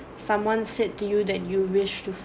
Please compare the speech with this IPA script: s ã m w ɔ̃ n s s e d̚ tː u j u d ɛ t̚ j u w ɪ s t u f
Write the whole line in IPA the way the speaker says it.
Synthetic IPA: s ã m w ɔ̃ n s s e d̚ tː u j u d ɛ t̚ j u w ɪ ʃ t u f